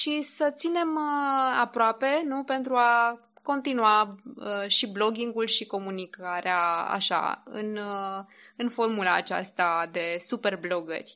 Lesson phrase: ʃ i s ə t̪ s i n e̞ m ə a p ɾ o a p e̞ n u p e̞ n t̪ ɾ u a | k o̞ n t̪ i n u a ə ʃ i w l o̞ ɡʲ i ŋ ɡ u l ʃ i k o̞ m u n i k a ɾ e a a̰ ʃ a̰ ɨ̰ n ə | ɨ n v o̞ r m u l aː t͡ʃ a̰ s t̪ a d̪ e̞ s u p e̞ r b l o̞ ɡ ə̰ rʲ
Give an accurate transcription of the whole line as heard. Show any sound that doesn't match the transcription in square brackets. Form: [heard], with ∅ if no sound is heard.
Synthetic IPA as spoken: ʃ i s ə t̪ s i n e̞ m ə a p ɾ o a p e̞ n u p e̞ n t̪ ɾ u a | k o̞ n t̪ i n u a ə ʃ i [b] l o̞ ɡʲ i ŋ ɡ u l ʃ i k o̞ m u n i k a ɾ e a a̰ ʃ a̰ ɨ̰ n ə | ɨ n [f] o̞ r m u l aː t͡ʃ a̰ s t̪ a d̪ e̞ s u p e̞ r b l o̞ ɡ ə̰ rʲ